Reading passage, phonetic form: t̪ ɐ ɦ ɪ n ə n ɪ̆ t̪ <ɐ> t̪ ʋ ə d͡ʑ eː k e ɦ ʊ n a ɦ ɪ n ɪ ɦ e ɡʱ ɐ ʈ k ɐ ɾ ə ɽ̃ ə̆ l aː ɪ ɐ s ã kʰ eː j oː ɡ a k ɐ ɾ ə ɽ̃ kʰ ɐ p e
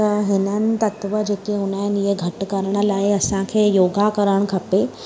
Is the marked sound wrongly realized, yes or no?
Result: no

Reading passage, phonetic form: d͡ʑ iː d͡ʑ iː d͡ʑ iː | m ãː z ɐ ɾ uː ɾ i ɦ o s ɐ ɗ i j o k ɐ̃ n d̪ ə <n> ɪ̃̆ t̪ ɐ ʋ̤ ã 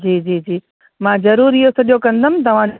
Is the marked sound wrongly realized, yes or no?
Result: yes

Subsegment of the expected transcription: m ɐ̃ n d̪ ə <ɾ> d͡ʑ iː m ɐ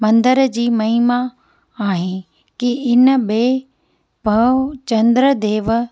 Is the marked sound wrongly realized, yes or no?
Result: no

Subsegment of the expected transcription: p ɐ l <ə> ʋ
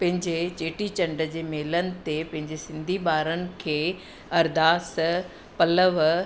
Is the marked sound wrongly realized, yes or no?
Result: no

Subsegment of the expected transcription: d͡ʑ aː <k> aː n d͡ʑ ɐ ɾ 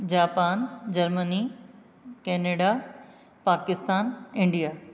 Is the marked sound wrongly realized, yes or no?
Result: yes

